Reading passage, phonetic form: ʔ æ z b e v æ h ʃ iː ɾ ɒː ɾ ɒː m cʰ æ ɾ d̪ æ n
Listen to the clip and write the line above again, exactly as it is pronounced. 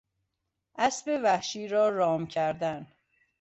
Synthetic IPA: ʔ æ s b e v æ h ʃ iː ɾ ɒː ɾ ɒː m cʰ æ ɾ d̪ æ n